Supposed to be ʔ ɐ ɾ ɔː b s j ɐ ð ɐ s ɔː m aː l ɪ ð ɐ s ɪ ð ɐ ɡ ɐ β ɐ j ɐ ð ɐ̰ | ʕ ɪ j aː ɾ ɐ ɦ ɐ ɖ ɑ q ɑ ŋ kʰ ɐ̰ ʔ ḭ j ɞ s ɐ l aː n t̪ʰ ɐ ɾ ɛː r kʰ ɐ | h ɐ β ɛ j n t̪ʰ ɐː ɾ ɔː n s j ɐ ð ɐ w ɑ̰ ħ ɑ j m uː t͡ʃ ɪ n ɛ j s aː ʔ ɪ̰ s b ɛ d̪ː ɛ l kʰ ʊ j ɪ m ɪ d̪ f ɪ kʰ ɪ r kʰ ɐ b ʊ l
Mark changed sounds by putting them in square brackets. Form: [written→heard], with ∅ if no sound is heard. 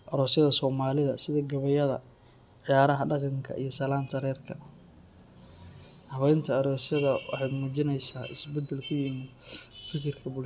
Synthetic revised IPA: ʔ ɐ ɾ ɔː [b→∅] s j ɐ ð ɐ s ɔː m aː l ɪ ð ɐ s ɪ ð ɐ ɡ ɐ β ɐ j ɐ ð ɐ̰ | ʕ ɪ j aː ɾ ɐ ɦ ɐ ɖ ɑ q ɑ ŋ kʰ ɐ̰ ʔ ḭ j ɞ s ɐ l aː n t̪ʰ ɐ ɾ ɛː r kʰ ɐ | h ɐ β ɛ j n t̪ʰ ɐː ɾ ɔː [n→∅] s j ɐ ð ɐ w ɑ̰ ħ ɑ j m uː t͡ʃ ɪ n ɛ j s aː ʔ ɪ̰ s b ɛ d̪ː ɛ l kʰ ʊ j ɪ m ɪ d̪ f ɪ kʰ ɪ r kʰ ɐ b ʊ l

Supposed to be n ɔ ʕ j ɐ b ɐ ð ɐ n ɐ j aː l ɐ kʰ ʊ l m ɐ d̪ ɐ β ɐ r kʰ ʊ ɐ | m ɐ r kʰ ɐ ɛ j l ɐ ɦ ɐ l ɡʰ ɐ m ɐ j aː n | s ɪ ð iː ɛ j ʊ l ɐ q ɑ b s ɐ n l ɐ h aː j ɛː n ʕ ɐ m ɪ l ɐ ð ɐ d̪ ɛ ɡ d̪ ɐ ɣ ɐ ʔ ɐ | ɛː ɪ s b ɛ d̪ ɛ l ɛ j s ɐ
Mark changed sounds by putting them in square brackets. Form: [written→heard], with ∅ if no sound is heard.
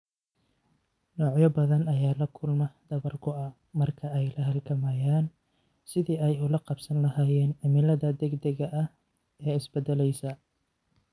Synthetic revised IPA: n [ɔ→ɔː] ʕ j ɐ b ɐ ð ɐ n ɐ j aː l ɐ kʰ ʊ l m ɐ d̪ ɐ β ɐ r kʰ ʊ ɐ | m ɐ r kʰ ɐ ɛ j l ɐ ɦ ɐ l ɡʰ ɐ m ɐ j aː n | s ɪ ð iː ɛ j ʊ l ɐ q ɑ b s ɐ n l ɐ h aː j ɛː n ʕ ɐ m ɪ l ɐ ð ɐ d̪ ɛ ɡ d̪ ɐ ɣ ɐ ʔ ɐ | ɛː ɪ s b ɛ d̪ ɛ l ɛ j s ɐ

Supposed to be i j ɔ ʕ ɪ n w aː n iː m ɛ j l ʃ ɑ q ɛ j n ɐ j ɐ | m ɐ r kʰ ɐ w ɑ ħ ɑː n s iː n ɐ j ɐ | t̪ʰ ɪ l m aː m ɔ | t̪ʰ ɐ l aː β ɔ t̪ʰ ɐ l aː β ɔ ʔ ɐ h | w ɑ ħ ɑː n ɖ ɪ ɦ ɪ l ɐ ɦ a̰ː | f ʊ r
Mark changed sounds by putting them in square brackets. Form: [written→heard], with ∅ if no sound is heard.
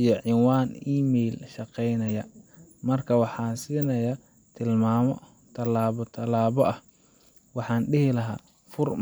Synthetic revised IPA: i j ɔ ʕ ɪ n w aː n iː m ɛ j l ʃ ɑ q ɛ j n ɐ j ɐ | m ɐ r kʰ ɐ w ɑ ħ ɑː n s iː n ɐ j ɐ | t̪ʰ ɪ l m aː m ɔ | t̪ʰ ɐ l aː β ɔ t̪ʰ ɐ l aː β ɔ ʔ ɐ h | w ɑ ħ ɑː n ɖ ɪ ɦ ɪ l ɐ ɦ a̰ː | f ʊ r

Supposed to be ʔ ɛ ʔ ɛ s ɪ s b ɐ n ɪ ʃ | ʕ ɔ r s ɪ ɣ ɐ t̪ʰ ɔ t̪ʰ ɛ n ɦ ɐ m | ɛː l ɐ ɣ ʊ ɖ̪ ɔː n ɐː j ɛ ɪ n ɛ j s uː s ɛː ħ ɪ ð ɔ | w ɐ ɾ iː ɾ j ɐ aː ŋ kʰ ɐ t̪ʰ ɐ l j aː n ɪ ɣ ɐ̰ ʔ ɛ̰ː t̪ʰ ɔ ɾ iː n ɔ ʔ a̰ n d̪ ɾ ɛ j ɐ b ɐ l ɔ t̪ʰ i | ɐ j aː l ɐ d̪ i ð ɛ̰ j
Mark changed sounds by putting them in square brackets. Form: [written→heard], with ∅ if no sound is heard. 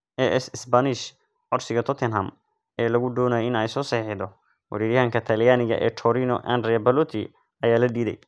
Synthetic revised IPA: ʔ ɛ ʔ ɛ s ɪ s b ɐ n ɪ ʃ | ʕ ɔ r s ɪ ɣ ɐ t̪ʰ ɔ t̪ʰ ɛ n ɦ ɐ m | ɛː l ɐ ɣ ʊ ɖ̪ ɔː n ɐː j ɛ ɪ n ɛ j s [uː→ɔː] s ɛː ħ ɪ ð ɔ | w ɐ ɾ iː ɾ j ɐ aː ŋ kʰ ɐ t̪ʰ ɐ l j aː n ɪ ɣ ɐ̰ ʔ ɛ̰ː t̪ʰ ɔ ɾ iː n ɔ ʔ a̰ n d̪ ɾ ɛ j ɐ b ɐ l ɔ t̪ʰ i | ɐ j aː l ɐ d̪ [i→iː] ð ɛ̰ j

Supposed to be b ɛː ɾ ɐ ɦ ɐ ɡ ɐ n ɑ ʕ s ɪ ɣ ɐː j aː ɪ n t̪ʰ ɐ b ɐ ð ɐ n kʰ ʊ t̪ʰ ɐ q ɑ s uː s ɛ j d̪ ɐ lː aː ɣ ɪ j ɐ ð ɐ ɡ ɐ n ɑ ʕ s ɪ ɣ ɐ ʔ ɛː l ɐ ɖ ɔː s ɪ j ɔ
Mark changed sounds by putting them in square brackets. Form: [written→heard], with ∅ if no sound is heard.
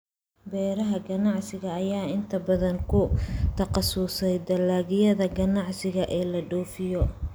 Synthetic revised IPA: b ɛː ɾ ɐ ɦ ɐ ɡ ɐ n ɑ ʕ s ɪ ɣ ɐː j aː ɪ n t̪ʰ ɐ b ɐ ð ɐ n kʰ ʊ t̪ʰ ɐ q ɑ s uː s ɛ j d̪ ɐ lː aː ɣ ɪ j ɐ ð ɐ ɡ ɐ n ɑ ʕ s ɪ ɣ ɐ ʔ ɛː l ɐ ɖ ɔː [s→f] ɪ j ɔ

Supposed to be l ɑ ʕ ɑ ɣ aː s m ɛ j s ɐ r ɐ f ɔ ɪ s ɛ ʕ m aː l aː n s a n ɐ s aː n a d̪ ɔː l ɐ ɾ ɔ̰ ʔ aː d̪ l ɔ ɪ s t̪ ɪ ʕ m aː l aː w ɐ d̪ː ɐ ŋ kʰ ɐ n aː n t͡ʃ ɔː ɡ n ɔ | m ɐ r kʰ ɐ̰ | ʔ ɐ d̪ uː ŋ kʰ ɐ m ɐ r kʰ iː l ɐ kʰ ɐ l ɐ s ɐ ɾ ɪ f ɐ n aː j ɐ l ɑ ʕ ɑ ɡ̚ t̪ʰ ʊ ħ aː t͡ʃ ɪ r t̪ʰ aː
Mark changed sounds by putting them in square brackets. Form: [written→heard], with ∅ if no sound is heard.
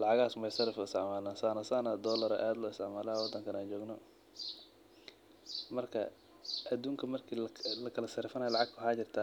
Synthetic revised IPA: l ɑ ʕ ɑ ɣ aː s m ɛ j s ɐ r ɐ f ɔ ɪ s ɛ ʕ m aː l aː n s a n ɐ s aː n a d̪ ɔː l ɐ ɾ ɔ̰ ʔ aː d̪ l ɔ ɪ s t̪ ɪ ʕ m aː l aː w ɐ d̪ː ɐ ŋ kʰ ɐ n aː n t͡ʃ ɔː ɡ n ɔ | m ɐ r kʰ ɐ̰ | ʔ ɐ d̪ uː ŋ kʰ ɐ m ɐ r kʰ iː l ɐ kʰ ɐ l ɐ s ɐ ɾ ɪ f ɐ n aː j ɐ l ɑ ʕ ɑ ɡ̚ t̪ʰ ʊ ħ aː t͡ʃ ɪ r t̪ʰ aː

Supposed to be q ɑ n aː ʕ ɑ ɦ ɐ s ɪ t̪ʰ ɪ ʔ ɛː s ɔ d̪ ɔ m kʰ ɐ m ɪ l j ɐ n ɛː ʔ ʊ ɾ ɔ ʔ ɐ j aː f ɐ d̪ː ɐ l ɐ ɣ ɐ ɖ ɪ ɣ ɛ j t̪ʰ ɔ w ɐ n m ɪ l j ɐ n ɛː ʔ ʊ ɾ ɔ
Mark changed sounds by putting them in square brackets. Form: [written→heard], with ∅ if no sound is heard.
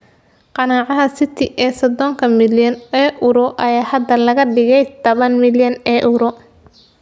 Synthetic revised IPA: q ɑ n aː ʕ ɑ ɦ ɐ s ɪ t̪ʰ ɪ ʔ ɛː s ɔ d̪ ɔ [m→ŋ] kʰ ɐ m ɪ l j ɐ n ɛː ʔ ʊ ɾ ɔ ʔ ɐ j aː [f→h] ɐ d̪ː ɐ l ɐ ɣ ɐ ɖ ɪ ɣ ɛ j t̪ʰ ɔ [w→β] ɐ n m ɪ l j ɐ n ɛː ʔ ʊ ɾ ɔ

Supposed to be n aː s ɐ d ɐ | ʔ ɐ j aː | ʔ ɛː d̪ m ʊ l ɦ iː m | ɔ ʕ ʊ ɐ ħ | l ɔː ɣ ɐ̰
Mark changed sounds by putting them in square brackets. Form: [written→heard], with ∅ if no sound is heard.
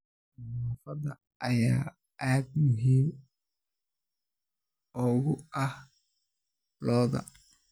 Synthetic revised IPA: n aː [s→f] ɐ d ɐ | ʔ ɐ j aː | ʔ [ɛː→aː] d̪ m ʊ [l→∅] ɦ iː m | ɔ [ʕ→ɣ] ʊ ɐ [ħ→h] | l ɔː [ɣ→ð] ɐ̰

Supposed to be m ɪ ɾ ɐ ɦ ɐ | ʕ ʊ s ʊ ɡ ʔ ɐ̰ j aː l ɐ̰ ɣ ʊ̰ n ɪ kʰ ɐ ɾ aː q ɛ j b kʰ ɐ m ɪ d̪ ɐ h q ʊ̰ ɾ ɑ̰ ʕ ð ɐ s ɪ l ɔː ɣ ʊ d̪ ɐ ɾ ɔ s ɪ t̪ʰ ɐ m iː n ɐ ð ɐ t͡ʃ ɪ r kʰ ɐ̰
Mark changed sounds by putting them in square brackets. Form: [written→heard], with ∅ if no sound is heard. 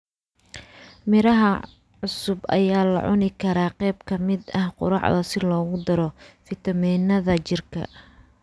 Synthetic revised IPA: m ɪ ɾ ɐ ɦ ɐ | ʕ ʊ s ʊ [ɡ→b] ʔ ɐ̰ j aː l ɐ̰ [ɣ→ʕ] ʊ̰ n ɪ kʰ ɐ ɾ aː q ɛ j b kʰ ɐ m ɪ d̪ ɐ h q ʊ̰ ɾ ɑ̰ ʕ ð ɐ s ɪ l ɔː ɣ ʊ d̪ ɐ ɾ ɔ [s→f] ɪ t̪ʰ ɐ m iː n ɐ ð ɐ t͡ʃ ɪ r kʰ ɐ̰

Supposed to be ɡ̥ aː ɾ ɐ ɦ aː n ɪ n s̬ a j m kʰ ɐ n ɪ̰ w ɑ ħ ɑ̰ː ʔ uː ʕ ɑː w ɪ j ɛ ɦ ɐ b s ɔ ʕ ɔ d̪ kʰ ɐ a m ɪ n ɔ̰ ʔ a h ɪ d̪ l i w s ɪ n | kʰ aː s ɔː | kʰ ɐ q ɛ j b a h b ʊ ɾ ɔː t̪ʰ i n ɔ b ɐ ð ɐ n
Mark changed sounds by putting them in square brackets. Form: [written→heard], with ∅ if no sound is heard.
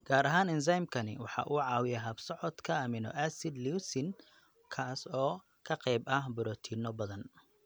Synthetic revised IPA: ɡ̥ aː ɾ ɐ ɦ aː n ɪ n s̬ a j m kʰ ɐ n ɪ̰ w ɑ ħ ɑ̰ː ʔ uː ʕ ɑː w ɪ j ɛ ɦ ɐ b s ɔ ʕ ɔ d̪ kʰ ɐ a m ɪ n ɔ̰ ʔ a [h→s] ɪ d̪ l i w s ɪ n | kʰ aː s ɔː | kʰ ɐ q ɛ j b [a→ɐ] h b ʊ ɾ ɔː t̪ʰ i n ɔ b ɐ ð ɐ n

